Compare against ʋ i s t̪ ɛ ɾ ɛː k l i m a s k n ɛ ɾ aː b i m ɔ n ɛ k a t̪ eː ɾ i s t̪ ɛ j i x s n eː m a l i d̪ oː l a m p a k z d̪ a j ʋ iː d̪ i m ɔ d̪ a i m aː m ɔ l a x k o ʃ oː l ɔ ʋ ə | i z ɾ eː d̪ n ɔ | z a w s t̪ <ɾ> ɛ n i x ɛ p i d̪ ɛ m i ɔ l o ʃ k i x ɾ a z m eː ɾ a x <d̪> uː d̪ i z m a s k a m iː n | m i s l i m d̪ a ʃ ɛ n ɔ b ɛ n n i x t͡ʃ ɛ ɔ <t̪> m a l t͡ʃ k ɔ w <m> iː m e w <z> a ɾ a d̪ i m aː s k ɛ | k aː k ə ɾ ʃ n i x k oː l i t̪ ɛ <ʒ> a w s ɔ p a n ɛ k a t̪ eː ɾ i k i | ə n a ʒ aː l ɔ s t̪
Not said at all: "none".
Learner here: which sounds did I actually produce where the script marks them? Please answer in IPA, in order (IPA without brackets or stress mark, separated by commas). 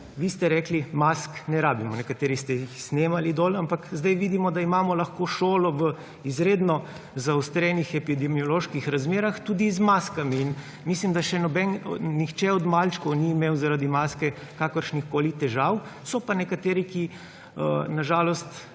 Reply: ɾ, t̪, d̪, n, z, ʒ